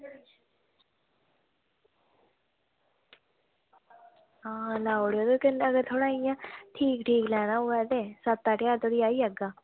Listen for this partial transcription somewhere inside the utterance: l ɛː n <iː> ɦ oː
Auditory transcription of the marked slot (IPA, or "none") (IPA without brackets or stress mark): aː